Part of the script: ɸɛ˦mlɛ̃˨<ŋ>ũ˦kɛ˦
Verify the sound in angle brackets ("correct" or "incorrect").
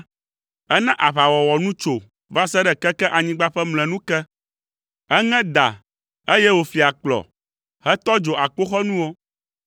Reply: incorrect